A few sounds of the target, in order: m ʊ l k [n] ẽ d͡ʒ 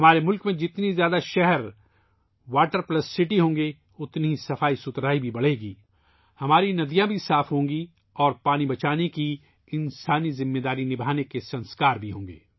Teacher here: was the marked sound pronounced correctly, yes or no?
no